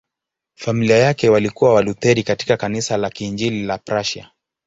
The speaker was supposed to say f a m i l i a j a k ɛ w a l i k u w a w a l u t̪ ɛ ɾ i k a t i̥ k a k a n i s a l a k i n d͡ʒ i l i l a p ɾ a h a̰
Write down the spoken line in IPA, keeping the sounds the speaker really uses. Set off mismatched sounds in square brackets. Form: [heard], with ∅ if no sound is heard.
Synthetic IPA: f a m i l i a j a k ɛ w a l i k u w a w a l u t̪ ɛ ɾ i k a t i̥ k a k a n i s a l a k i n d͡ʒ i l i l a p ɾ a [ʃ] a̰